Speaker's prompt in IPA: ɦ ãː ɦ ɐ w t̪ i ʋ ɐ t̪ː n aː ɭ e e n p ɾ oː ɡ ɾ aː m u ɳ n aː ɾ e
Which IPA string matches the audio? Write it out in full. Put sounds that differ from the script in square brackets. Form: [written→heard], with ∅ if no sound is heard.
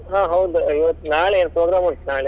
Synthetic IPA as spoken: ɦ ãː ɦ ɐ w [t̪→d̪] i ʋ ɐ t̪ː n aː ɭ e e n p ɾ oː ɡ ɾ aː m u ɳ n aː [ɾ→ɭ] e